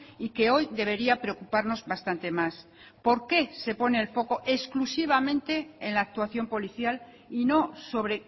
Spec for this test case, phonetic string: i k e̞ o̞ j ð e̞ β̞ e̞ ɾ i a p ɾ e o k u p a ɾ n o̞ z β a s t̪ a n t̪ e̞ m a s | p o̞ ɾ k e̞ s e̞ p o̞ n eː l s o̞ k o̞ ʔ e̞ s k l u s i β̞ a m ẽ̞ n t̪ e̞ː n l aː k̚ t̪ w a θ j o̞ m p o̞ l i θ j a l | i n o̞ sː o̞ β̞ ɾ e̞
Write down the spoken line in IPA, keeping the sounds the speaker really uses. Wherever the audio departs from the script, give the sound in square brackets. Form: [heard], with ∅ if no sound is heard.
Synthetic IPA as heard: i k e̞ o̞ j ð e̞ β̞ e̞ ɾ i a p ɾ e o k u p a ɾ n o̞ z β a s t̪ a n t̪ e̞ m a s | p o̞ ɾ k e̞ s e̞ p o̞ n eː l [f] o̞ k o̞ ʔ e̞ s k l u s i β̞ a m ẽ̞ n t̪ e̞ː n l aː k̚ t̪ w a θ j o̞ m p o̞ l i θ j a l | i n o̞ [s] o̞ β̞ ɾ e̞